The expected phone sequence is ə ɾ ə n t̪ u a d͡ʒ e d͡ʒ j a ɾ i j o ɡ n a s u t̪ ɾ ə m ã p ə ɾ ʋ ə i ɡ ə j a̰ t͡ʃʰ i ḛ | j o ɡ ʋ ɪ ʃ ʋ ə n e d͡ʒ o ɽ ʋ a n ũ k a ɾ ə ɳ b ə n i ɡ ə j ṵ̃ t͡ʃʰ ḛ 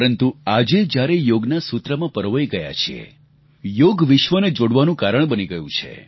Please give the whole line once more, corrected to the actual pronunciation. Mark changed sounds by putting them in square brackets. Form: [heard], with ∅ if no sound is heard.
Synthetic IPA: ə ɾ ə n t̪ u a d͡ʒ e d͡ʒ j a ɾ [e] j o ɡ n a s u t̪ ɾ ə m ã p ə ɾ ʋ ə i ɡ ə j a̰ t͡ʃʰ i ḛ | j o ɡ ʋ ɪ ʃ ʋ ə n e d͡ʒ o ɽ ʋ a n ũ k a ɾ ə ɳ b ə n i ɡ ə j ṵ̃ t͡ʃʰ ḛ